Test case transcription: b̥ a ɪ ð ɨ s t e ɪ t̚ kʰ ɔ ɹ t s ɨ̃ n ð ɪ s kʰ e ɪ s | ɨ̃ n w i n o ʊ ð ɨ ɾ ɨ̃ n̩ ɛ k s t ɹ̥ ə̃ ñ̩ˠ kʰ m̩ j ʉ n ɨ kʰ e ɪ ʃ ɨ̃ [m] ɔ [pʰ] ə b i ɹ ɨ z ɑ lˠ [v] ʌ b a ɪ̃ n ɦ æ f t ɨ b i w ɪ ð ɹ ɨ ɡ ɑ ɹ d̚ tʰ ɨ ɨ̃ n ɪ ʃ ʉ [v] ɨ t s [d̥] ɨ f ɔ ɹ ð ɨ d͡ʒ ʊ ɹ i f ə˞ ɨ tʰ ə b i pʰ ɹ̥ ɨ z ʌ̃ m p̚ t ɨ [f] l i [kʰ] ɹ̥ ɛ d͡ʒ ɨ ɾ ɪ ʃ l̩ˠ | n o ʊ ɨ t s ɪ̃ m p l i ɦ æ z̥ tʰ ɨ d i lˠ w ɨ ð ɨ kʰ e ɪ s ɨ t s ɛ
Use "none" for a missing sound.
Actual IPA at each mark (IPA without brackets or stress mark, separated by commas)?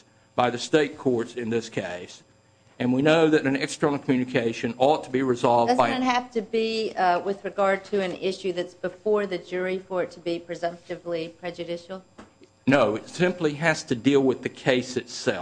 n, tʰ, v, ð, b̥, v, pʰ